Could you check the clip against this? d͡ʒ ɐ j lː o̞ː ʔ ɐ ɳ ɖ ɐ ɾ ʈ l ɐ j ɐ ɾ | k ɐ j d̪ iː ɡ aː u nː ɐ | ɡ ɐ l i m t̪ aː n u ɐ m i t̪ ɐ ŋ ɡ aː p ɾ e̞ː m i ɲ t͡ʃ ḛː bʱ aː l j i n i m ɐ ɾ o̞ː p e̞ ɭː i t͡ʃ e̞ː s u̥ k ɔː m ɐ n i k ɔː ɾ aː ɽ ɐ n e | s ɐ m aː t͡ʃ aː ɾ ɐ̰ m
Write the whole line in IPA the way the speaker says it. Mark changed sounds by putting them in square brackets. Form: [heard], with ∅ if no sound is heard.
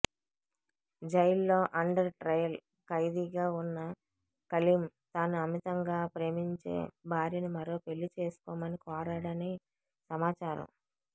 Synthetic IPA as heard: d͡ʒ ɐ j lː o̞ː ʔ ɐ ɳ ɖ ɐ ɾ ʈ [ɾ] ɐ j ɐ [l] | k ɐ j d̪ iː ɡ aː u nː ɐ | [k] ɐ l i m t̪ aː n u ɐ m i t̪ ɐ ŋ ɡ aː p ɾ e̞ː m i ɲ t͡ʃ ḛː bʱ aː [ɾ] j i n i m ɐ ɾ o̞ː p e̞ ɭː i t͡ʃ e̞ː s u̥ k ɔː m ɐ n i k ɔː ɾ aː ɽ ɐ n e | s ɐ m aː t͡ʃ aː ɾ ɐ̰ m